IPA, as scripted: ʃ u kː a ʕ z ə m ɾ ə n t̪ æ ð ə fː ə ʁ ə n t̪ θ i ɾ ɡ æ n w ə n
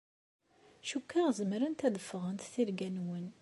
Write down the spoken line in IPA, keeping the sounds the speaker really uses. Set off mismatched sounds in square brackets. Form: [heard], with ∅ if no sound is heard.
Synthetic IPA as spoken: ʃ u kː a [ʁ] z ə m ɾ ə n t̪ æ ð ə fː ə ʁ ə n t̪ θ i ɾ ɡ æ n w ə n